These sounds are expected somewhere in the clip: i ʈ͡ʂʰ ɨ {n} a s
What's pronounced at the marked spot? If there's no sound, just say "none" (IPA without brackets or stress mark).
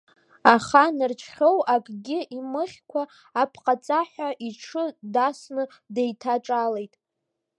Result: d